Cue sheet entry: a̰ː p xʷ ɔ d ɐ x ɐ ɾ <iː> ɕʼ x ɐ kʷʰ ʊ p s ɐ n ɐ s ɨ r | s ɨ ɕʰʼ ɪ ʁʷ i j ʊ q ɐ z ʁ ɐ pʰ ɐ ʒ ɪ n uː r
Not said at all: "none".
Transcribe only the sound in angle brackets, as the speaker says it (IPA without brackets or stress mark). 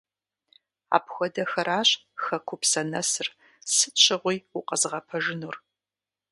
aː